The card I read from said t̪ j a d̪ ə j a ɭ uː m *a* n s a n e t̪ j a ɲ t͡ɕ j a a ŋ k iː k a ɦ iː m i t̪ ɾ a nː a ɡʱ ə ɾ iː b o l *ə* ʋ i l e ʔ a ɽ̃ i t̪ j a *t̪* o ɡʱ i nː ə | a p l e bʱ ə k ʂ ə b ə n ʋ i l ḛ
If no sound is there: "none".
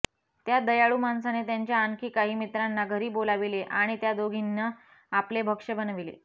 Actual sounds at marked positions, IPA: a, a, d̪

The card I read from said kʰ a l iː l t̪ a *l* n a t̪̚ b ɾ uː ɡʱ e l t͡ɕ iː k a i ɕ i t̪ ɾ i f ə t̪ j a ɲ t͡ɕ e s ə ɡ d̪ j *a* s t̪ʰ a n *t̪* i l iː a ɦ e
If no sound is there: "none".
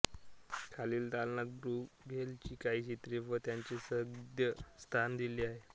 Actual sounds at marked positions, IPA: l, ə, d̪

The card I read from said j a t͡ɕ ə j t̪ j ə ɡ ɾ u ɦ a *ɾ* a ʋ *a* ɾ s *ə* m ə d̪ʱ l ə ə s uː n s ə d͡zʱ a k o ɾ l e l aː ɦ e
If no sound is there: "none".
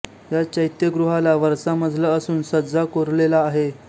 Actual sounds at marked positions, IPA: l, ə, a

